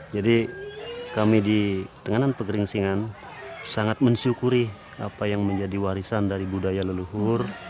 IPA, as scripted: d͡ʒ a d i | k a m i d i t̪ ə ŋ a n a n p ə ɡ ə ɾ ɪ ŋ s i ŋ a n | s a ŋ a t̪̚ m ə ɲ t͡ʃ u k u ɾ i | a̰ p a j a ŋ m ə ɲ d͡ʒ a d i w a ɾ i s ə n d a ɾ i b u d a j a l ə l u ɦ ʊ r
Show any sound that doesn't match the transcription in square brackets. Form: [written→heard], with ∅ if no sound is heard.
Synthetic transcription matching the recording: d͡ʒ a d i | k a m i d i t̪ ə ŋ a n a n p ə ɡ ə ɾ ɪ ŋ s i ŋ a n | s a ŋ a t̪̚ m ə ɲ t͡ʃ u k u ɾ i | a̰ p a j a ŋ m ə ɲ d͡ʒ a d i w a ɾ i s [ə→a] n d a ɾ i b u d a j a l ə l u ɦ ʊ r